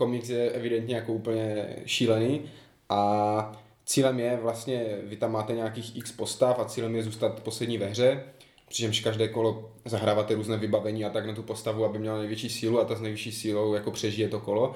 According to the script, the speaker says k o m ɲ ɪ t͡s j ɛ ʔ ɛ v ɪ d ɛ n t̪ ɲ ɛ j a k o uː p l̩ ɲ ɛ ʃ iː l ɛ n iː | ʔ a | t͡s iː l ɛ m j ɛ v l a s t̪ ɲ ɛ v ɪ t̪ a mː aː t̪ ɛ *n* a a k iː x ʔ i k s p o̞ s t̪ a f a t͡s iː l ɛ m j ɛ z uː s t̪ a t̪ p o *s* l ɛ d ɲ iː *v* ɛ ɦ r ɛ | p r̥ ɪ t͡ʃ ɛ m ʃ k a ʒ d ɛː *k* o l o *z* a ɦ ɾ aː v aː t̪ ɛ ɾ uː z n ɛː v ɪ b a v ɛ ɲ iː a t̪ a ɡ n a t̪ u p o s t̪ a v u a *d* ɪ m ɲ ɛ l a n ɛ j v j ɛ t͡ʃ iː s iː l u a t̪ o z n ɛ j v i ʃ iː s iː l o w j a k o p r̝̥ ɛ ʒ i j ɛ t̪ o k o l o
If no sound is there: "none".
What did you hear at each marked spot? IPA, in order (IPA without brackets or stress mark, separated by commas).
ɲ, s, v, k, z, b